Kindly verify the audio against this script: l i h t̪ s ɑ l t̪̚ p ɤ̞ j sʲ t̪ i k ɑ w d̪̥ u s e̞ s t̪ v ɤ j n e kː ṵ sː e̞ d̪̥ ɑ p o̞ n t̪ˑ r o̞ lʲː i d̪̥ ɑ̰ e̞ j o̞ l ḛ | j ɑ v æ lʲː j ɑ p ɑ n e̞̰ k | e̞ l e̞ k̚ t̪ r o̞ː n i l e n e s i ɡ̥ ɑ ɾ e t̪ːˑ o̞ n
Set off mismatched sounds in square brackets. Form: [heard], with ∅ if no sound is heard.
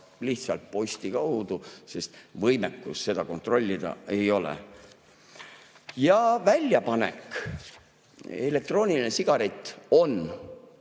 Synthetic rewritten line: l i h t̪ s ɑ l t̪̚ p [o̞] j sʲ t̪ i k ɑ w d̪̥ u s e̞ s t̪ v ɤ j [m] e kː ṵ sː e̞ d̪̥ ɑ [k] o̞ n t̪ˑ r o̞ lʲː i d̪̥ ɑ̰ e̞ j o̞ l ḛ | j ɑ v æ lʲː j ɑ p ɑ n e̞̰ k | e̞ l e̞ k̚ t̪ r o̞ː n i l [i] n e s i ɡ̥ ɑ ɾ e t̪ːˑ o̞ n